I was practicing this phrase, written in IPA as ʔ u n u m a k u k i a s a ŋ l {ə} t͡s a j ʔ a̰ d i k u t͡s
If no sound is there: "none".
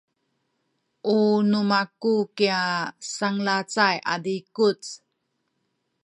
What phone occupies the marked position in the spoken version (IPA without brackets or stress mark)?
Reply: a